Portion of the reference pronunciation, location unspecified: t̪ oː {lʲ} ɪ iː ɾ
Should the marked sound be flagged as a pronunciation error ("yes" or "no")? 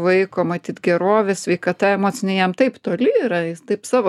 no